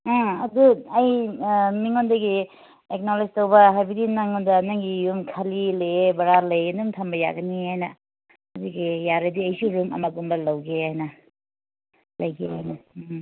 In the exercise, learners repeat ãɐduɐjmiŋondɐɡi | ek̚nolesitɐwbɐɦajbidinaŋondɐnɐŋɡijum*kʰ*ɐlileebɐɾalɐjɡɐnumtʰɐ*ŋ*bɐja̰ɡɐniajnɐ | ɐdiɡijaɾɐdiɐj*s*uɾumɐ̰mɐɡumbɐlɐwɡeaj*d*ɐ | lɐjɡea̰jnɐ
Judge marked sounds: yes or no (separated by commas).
yes, no, yes, no